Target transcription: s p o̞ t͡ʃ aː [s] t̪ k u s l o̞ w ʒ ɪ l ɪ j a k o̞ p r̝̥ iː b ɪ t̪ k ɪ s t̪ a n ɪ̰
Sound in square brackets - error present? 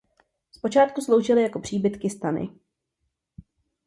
yes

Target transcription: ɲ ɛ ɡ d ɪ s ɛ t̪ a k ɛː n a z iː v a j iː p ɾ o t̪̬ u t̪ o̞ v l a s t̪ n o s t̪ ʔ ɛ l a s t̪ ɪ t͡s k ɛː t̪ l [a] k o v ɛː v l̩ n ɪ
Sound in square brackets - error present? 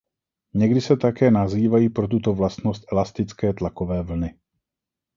no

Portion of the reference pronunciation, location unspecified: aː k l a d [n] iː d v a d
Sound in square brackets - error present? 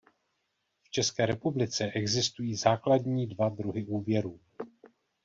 yes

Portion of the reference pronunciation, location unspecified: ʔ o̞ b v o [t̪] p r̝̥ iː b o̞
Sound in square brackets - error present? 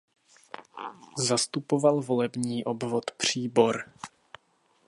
no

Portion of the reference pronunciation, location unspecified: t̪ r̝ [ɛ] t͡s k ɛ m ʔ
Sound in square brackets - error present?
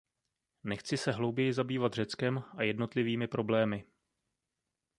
no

